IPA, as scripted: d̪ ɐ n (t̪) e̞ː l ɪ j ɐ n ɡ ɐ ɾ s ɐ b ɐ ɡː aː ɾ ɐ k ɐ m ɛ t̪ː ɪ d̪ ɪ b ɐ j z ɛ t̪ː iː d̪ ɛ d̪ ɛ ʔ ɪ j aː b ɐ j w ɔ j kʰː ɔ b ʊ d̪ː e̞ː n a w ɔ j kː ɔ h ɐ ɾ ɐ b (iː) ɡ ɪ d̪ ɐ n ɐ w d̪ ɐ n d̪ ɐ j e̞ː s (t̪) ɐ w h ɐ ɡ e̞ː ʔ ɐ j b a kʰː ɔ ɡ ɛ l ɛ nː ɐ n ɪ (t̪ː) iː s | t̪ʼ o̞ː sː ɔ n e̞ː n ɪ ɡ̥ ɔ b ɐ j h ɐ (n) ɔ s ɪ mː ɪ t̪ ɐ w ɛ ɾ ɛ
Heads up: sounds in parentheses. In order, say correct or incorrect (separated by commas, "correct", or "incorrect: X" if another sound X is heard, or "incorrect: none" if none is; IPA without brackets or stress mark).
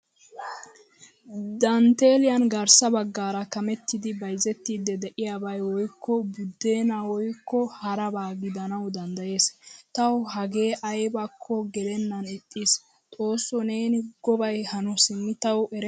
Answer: correct, incorrect: aː, correct, incorrect: t̪ʼː, correct